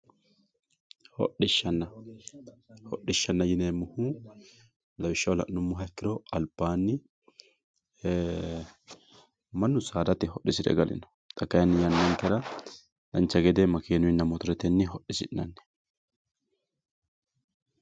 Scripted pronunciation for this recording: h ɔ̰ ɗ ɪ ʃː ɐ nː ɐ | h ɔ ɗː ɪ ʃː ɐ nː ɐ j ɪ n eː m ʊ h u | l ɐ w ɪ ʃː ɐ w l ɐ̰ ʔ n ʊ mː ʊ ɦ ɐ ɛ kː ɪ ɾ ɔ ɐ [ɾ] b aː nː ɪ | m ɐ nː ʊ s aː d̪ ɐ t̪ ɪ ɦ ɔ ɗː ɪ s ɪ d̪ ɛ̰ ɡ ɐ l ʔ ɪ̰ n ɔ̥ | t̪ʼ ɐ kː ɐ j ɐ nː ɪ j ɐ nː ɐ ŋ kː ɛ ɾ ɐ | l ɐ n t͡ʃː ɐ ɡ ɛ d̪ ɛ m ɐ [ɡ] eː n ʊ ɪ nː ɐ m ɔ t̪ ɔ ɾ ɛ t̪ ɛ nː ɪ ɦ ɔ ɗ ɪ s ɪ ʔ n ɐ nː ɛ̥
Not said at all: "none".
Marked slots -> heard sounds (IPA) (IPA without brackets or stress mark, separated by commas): l, k